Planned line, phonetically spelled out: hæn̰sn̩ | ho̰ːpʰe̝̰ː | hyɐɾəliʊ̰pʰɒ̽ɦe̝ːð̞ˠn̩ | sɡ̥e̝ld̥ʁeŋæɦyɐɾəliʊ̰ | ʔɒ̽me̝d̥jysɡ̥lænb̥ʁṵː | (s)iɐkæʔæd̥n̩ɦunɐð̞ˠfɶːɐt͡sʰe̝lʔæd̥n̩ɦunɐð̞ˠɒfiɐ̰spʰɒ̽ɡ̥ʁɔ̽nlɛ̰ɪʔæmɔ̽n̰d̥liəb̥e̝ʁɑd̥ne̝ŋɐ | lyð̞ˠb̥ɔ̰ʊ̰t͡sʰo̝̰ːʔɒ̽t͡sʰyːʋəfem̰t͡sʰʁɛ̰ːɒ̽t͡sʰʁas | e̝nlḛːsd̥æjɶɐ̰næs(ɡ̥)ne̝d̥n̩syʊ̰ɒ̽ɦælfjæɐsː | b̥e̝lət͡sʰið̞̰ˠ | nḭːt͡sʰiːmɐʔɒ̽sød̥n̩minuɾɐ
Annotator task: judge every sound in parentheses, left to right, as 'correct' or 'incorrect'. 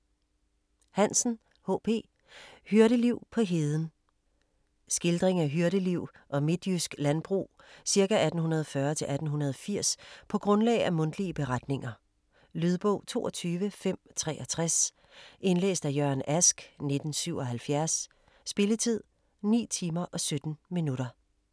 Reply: correct, correct

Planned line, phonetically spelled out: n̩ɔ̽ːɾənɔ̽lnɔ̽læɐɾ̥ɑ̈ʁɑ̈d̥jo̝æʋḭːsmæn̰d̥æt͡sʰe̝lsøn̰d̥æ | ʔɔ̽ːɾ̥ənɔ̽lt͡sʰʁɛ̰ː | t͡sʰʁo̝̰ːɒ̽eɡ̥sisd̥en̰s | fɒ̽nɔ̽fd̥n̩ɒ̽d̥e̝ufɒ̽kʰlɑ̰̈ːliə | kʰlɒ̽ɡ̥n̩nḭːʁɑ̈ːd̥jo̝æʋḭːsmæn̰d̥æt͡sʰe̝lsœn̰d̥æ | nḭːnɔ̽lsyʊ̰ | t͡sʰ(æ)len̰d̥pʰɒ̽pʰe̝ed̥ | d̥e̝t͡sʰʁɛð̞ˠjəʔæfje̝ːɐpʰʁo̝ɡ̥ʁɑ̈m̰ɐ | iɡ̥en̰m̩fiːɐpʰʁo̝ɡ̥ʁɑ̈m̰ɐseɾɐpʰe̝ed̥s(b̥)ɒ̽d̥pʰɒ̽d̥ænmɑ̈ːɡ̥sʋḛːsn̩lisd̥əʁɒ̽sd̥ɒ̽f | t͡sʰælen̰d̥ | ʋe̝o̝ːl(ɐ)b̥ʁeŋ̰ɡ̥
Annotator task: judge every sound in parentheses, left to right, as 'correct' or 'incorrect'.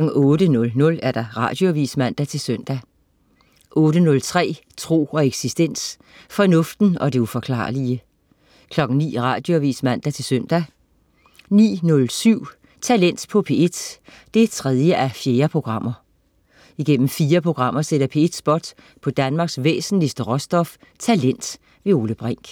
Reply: correct, correct, incorrect: ə

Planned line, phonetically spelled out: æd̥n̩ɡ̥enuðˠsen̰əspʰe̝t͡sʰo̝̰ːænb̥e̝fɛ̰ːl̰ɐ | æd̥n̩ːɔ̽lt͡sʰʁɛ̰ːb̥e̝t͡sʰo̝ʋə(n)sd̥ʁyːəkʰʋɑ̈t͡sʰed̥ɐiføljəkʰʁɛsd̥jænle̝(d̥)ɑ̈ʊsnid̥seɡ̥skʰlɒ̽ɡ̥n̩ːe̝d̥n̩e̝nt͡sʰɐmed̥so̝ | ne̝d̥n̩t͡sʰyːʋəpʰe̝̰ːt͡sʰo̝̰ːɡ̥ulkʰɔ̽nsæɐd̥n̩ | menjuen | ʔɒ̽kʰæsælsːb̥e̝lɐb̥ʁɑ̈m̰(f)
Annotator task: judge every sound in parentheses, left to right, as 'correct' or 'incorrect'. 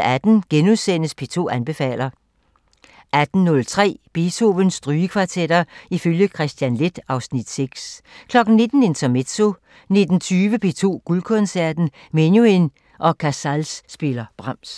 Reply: correct, correct, incorrect: s

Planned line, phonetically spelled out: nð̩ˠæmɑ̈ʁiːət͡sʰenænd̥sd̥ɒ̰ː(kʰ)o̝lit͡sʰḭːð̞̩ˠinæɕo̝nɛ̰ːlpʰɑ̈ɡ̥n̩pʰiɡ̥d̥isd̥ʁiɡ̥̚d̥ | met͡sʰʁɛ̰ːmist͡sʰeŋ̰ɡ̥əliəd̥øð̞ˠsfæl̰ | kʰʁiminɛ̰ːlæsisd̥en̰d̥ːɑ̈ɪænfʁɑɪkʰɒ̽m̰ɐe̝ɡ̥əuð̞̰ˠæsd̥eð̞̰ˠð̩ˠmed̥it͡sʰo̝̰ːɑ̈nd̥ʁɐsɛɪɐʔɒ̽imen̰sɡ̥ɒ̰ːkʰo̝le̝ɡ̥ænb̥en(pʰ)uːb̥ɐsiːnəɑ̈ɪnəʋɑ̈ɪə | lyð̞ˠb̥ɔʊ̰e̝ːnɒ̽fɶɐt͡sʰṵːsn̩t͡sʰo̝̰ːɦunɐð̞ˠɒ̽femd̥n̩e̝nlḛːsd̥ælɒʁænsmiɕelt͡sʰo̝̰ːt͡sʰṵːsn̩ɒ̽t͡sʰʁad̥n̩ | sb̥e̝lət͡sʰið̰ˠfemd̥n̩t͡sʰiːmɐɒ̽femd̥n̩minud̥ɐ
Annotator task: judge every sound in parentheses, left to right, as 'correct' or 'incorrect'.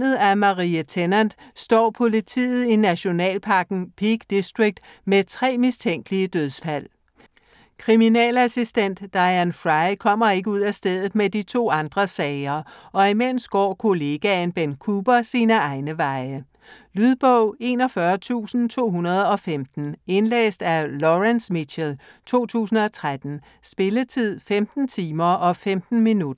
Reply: incorrect: pʰ, incorrect: kʰ

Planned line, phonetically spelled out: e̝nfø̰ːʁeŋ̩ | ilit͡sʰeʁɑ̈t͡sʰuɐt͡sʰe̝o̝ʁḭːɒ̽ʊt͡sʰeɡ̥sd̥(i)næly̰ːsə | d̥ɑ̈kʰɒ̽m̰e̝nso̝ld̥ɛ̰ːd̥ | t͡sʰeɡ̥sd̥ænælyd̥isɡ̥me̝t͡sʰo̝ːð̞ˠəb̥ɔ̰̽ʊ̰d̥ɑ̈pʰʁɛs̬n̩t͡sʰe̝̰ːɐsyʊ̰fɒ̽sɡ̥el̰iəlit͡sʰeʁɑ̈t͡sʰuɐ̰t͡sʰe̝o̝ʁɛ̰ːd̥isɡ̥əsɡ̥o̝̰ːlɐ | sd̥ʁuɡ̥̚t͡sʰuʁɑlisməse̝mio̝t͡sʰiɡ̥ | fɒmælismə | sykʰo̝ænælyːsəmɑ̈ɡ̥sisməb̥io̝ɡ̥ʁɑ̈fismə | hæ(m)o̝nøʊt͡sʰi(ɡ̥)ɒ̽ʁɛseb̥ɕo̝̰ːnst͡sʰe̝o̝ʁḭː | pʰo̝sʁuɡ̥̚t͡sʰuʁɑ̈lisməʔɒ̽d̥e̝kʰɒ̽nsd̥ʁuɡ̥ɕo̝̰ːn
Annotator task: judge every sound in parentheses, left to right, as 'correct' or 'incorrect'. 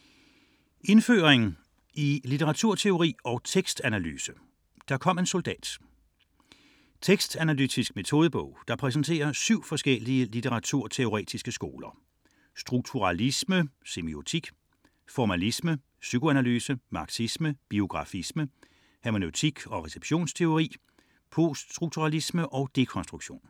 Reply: incorrect: æ, correct, correct

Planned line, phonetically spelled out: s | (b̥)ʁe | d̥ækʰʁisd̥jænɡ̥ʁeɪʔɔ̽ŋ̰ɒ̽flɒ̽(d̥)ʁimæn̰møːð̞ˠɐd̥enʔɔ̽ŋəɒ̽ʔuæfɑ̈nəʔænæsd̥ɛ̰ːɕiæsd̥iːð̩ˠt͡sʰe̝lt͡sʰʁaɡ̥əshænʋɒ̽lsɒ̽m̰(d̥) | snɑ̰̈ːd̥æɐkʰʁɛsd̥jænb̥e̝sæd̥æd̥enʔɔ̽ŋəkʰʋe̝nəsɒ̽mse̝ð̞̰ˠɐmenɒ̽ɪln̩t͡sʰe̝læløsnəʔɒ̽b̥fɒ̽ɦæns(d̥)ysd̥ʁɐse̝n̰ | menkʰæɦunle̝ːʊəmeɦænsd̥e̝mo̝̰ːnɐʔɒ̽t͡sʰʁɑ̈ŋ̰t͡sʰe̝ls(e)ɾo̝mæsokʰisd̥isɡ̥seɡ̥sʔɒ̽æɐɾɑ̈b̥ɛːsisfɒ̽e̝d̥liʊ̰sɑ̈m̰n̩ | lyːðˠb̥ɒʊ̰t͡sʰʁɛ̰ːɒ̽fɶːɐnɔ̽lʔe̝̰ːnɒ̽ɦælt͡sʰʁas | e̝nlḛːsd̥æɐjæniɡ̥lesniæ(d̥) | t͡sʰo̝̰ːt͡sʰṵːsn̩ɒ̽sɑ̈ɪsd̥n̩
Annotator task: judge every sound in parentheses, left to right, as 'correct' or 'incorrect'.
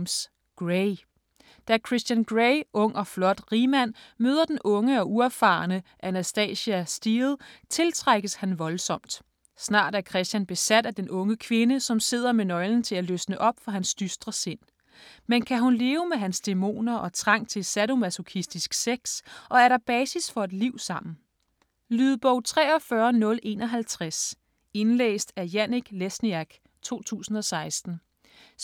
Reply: incorrect: ɡ̥, correct, correct, correct, incorrect: æ, incorrect: ɡ̥

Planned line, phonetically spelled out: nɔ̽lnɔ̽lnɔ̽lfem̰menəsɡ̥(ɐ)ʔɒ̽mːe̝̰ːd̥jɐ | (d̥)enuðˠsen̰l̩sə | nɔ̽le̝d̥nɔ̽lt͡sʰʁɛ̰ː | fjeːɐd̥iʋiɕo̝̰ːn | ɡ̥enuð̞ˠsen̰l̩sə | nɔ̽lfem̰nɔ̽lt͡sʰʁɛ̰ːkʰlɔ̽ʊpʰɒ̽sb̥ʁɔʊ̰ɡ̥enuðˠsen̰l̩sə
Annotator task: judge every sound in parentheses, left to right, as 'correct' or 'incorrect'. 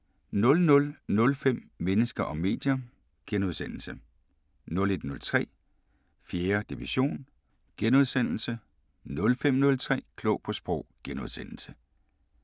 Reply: correct, incorrect: ɡ̥

